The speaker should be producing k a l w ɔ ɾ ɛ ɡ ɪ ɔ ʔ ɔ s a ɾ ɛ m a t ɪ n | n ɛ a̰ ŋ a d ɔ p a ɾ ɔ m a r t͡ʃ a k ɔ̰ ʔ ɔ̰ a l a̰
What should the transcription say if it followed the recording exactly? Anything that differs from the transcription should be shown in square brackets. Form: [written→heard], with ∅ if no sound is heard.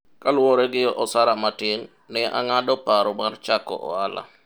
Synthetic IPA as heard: k a l w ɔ ɾ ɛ ɡ ɪ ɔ ʔ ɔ s a ɾ [ɛ→a] m a t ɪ [n→ŋ] | n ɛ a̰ ŋ a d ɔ p a ɾ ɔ m a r t͡ʃ a k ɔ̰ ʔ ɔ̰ a l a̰